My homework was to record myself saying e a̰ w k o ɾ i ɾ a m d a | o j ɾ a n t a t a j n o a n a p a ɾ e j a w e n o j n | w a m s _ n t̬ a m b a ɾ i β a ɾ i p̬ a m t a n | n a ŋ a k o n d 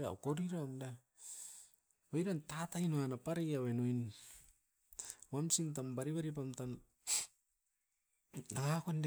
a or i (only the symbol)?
i